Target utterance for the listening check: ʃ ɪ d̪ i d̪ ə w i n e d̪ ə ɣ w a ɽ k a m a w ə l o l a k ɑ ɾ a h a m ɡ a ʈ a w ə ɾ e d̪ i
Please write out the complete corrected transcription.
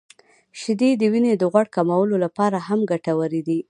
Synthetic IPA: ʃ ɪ d̪ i d̪ ə w i n e d̪ ə ɣ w a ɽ k a m a w ə l o l a p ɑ ɾ a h a m ɡ a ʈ a w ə ɾ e d̪ i

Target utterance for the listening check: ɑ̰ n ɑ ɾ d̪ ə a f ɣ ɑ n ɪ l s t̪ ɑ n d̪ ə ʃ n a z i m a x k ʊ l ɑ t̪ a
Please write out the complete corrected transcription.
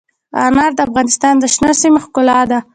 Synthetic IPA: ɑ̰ n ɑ ɾ d̪ ə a f ɣ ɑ n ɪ s t̪ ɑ n d̪ ə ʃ n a s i m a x k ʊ l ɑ d̪ a

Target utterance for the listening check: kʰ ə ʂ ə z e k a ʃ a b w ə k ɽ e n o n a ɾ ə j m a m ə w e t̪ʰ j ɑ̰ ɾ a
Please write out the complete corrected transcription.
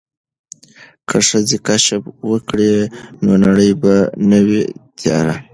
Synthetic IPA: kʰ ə ʂ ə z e k a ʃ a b w ə k ɽ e n o n a ɽ ə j b a n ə w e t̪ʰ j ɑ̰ ɾ a

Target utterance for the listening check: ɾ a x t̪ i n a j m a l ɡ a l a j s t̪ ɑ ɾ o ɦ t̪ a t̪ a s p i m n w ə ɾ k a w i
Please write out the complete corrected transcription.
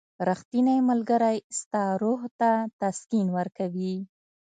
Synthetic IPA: ɾ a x t̪ i n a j m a l ɡ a ɾ a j s t̪ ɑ ɾ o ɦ t̪ a t̪ a s k i n w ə ɾ k a w i

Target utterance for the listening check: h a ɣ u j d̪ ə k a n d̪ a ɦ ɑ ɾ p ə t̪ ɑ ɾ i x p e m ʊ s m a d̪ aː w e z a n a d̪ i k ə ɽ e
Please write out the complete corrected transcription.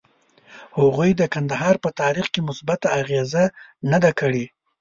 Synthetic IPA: h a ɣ u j d̪ ə k a n d̪ a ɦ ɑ ɾ p ə t̪ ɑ ɾ i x k e m ʊ s b a t̪ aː ɣ e z a n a d̪ a k ə ɽ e

